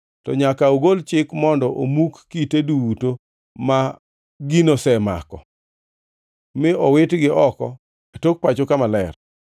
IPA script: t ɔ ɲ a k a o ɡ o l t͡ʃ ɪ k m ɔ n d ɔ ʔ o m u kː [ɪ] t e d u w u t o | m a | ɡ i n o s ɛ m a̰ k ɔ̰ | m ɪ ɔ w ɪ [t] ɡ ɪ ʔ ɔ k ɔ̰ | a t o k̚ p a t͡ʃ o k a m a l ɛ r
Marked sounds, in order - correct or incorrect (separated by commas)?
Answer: incorrect, correct